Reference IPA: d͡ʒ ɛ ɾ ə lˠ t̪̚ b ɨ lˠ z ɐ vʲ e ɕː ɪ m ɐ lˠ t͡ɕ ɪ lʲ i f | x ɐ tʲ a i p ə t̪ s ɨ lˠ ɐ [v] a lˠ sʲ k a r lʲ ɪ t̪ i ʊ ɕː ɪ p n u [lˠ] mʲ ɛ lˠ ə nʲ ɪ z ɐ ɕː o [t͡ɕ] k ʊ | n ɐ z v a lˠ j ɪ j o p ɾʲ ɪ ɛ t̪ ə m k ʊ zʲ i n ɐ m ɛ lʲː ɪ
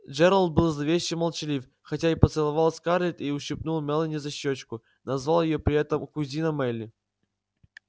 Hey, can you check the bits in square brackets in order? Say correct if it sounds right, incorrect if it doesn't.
correct, correct, correct

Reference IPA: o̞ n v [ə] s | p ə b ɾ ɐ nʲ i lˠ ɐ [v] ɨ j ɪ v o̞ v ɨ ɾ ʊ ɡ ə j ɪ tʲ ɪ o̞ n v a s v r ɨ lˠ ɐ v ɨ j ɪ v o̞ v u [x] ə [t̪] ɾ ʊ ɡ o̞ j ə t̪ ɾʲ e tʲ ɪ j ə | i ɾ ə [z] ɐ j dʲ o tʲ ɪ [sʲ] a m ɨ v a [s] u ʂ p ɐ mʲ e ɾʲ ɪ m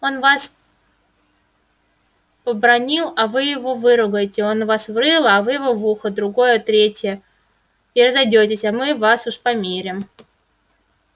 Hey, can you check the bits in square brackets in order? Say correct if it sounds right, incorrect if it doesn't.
incorrect, correct, correct, incorrect, correct, correct, correct

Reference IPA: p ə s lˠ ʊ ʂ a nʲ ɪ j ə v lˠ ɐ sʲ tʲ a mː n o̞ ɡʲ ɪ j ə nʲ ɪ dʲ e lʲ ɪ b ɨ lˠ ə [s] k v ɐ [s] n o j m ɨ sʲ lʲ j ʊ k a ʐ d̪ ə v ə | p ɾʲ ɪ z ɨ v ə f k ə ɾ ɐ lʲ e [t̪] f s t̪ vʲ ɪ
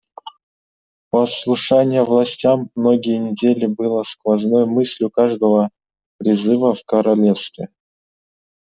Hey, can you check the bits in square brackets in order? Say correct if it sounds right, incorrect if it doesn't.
correct, incorrect, incorrect

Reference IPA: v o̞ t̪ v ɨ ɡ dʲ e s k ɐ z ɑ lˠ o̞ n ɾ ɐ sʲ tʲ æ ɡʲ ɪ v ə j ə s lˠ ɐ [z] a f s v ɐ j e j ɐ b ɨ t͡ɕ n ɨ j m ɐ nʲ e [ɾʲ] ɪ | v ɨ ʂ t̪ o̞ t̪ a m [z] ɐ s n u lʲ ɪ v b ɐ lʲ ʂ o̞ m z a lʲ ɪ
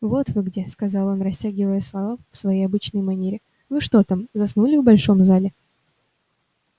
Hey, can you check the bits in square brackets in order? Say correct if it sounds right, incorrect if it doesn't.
incorrect, correct, correct

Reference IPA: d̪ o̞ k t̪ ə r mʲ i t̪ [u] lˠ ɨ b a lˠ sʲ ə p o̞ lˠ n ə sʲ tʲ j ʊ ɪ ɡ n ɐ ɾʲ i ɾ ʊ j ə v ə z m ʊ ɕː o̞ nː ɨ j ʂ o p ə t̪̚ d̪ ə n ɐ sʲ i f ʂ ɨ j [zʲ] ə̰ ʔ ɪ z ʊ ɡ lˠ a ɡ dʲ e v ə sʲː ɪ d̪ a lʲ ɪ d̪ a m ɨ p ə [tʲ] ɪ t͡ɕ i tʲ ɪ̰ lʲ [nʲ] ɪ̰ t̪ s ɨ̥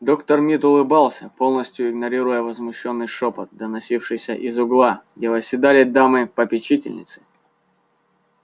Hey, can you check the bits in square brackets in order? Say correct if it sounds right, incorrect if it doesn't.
incorrect, incorrect, incorrect, correct

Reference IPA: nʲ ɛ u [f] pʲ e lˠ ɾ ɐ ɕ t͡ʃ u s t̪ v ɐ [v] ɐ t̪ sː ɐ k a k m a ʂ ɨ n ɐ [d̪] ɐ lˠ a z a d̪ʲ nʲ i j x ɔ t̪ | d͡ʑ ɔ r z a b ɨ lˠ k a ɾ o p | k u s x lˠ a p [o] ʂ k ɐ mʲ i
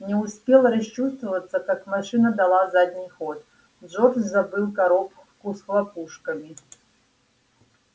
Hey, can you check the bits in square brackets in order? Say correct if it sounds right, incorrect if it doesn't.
incorrect, correct, correct, incorrect

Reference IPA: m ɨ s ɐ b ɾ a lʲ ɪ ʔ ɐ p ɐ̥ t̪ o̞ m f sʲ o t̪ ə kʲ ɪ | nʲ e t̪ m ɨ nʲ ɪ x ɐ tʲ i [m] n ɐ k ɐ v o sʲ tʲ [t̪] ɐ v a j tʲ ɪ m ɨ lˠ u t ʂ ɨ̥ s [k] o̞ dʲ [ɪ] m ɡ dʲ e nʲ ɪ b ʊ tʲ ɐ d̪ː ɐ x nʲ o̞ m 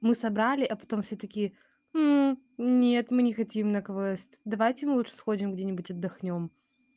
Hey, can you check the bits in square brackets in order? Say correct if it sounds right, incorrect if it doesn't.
correct, incorrect, incorrect, correct

